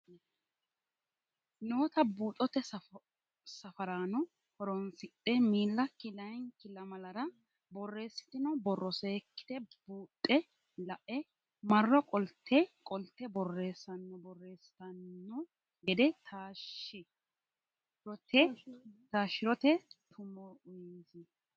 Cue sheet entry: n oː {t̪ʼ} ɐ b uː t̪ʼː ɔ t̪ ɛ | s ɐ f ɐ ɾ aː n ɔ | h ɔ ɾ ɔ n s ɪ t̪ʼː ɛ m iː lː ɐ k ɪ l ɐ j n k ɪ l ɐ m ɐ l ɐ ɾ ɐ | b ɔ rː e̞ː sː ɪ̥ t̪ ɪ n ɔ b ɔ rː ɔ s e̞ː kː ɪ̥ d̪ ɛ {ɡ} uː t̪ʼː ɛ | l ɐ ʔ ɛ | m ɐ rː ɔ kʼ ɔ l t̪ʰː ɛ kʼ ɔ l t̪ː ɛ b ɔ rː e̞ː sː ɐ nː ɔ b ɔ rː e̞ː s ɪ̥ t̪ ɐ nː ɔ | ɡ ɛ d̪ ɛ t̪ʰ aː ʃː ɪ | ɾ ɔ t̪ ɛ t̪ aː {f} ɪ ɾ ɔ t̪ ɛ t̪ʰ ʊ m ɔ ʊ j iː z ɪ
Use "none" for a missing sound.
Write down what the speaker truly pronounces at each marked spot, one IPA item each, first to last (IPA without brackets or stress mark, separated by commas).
t̪, b, ʃ